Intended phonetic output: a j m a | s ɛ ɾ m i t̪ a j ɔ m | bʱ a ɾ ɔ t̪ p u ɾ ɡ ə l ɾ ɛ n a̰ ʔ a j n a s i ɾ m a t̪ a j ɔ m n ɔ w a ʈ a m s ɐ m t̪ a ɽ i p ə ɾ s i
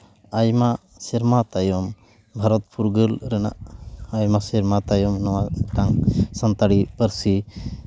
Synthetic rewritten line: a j m a | s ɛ ɾ m a t̪ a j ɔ m | bʱ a ɾ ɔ t̪ p u ɾ ɡ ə l ɾ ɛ n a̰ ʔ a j m a s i ɾ m a t̪ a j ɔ m n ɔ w a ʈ a ŋ s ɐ n t̪ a ɽ i p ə ɾ s i